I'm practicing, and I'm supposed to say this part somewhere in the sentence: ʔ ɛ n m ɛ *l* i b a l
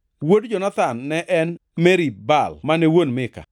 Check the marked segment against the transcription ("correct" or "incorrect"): incorrect